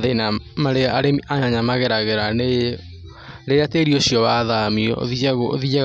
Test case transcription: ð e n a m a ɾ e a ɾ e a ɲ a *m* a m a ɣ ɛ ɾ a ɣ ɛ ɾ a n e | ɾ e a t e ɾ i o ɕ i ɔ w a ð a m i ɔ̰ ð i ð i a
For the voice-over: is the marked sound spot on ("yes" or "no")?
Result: no